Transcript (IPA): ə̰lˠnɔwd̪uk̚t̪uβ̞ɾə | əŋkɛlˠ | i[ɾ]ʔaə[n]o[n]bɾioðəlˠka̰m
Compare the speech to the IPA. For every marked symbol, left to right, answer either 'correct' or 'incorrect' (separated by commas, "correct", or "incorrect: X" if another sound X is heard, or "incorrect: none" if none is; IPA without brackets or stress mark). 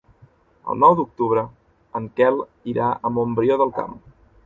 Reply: correct, incorrect: m, incorrect: m